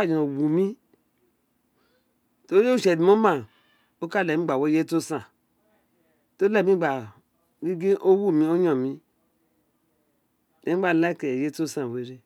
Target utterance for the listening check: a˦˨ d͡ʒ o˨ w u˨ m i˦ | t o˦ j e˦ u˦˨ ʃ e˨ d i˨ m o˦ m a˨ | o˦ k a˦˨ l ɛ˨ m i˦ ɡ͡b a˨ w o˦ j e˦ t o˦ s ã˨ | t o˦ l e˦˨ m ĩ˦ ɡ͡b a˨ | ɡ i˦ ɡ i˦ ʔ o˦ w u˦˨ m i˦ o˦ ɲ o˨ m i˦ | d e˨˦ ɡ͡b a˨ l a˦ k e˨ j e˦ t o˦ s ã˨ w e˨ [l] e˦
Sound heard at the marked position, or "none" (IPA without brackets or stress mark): ɾ